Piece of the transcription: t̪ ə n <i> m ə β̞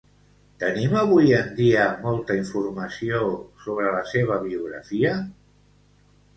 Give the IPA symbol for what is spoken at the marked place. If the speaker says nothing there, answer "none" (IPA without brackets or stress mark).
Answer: i